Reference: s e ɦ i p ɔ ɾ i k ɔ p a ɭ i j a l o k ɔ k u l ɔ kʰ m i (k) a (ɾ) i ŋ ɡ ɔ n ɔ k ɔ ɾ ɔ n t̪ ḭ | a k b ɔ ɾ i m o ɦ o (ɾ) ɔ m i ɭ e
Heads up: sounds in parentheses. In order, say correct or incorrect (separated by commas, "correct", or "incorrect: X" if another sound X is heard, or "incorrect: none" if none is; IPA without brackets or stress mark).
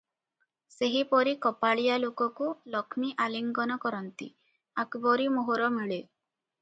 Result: incorrect: ʔ, incorrect: l, correct